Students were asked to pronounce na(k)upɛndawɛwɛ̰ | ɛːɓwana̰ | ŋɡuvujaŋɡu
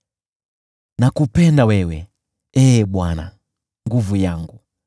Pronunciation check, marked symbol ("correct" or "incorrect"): correct